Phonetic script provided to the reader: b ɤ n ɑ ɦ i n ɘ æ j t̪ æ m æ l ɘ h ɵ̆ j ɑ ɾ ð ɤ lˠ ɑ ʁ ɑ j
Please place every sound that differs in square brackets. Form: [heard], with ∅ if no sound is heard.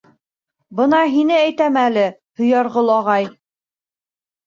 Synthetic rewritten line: b ɤ n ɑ ɦ i n ɘ æ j t̪ æ m æ l ɘ h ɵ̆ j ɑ ɾ [ʁ] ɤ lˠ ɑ ʁ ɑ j

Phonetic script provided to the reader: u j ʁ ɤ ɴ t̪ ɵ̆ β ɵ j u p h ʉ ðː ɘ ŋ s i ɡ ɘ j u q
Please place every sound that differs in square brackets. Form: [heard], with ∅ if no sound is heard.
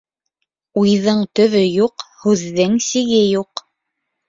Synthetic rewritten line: u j [ð] ɤ ɴ t̪ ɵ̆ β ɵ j u [q] h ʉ ðː ɘ ŋ s i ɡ ɘ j u q

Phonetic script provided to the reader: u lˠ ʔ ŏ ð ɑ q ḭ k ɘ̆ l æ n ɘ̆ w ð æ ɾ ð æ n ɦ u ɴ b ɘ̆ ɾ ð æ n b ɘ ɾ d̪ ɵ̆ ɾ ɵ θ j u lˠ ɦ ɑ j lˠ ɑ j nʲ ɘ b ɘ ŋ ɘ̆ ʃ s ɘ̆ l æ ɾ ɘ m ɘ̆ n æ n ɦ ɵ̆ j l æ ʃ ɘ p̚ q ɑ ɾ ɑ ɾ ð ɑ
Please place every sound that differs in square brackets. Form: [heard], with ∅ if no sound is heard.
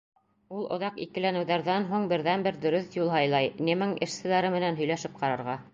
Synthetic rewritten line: u lˠ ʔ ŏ ð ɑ q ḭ k ɘ̆ l æ n ɘ̆ w ð æ ɾ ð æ n ɦ u ɴ b ɘ̆ ɾ ð æ n b ɘ ɾ d̪ ɵ̆ ɾ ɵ θ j u lˠ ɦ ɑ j lˠ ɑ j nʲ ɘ [m] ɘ ŋ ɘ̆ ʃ s ɘ̆ l æ ɾ ɘ m ɘ̆ n æ n ɦ ɵ̆ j l æ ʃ ɘ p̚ q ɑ ɾ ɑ ɾ [ʁ] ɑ

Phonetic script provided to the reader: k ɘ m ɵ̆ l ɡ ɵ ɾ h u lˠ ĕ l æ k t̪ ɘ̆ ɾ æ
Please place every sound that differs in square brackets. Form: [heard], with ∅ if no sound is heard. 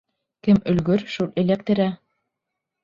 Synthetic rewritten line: k ɘ m ɵ̆ l ɡ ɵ ɾ [ʃ] u lˠ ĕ l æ k t̪ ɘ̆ ɾ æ

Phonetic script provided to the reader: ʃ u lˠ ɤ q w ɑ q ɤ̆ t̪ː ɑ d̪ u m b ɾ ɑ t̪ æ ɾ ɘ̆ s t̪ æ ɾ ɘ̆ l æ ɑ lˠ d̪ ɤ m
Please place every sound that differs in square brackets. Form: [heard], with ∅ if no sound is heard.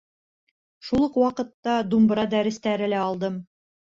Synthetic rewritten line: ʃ u lˠ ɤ q w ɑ q ɤ̆ t̪ː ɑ d̪ u m b ɾ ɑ [d̪] æ ɾ ɘ̆ s t̪ æ ɾ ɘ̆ l æ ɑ lˠ d̪ ɤ m

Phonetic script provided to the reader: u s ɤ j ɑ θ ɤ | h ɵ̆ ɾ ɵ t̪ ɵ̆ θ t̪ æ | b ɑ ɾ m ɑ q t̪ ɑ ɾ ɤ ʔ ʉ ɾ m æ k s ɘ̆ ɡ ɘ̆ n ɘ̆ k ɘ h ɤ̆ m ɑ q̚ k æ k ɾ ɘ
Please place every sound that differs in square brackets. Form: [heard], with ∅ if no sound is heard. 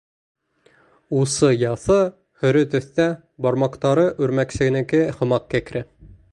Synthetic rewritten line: u s ɤ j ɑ θ ɤ | h ɵ̆ ɾ ɵ t̪ ɵ̆ θ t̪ æ | b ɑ ɾ m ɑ q t̪ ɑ ɾ ɤ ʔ ʉ ɾ m æ k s ɘ̆ ɡ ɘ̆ n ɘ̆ k ɘ h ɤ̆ m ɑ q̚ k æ k ɾ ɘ

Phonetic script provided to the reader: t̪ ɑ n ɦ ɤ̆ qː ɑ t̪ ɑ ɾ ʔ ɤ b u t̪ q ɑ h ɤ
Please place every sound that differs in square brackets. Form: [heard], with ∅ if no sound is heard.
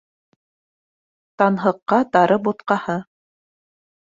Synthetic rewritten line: t̪ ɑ n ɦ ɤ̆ qː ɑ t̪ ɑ ɾ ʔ ɤ b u t̪ q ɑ h ɤ

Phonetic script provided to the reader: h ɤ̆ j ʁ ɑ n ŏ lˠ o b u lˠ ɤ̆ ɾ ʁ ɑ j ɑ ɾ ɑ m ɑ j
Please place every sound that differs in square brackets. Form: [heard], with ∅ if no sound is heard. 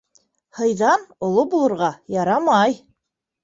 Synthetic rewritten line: h ɤ̆ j [ð] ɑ n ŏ lˠ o b u lˠ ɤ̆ ɾ ʁ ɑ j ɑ ɾ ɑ m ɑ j

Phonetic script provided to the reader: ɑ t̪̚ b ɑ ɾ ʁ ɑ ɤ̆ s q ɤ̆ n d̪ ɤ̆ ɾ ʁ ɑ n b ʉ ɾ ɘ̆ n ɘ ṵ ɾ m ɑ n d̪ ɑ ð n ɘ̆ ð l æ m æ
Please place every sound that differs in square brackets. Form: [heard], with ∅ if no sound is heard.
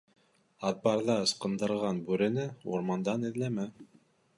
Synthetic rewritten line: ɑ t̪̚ b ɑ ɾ [ð] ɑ ɤ̆ s q ɤ̆ n d̪ ɤ̆ ɾ ʁ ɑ n b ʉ ɾ ɘ̆ n ɘ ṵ ɾ m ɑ n d̪ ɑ [∅] n ɘ̆ ð l æ m æ

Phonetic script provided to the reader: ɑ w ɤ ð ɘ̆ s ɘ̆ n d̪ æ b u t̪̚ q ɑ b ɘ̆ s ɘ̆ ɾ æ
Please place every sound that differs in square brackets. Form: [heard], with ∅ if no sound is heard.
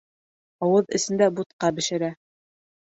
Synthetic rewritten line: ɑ w ɤ ð ɘ̆ s ɘ̆ n d̪ æ b u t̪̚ q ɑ b ɘ̆ [ʃ] ɘ̆ ɾ æ

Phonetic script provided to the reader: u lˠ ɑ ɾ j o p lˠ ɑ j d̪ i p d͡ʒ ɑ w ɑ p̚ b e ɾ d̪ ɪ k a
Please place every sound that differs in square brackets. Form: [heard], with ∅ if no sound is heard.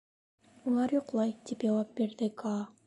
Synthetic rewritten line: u lˠ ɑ ɾ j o [q] lˠ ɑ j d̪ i p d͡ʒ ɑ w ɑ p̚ b e ɾ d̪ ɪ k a

